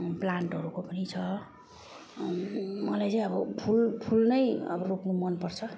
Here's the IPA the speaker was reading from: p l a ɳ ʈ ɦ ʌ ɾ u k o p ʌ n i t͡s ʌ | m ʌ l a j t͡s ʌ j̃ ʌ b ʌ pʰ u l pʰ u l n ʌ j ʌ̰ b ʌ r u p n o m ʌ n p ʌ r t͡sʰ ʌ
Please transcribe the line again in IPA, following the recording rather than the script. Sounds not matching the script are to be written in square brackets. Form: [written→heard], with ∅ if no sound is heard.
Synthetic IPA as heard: p l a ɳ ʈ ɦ ʌ ɾ u k o p ʌ n i [t͡s→t͡sʰ] ʌ | m ʌ l a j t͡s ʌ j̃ ʌ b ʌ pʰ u l pʰ u l n ʌ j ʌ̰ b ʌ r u p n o m ʌ n p ʌ r t͡sʰ ʌ